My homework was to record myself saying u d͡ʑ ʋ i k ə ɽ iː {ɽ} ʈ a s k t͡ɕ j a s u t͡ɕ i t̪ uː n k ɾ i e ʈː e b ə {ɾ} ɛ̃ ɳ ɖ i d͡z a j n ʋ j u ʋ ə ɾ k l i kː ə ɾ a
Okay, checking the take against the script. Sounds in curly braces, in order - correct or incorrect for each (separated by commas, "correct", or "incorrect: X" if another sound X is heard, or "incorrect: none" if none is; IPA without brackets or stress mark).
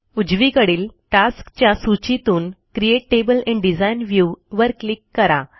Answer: incorrect: l, incorrect: l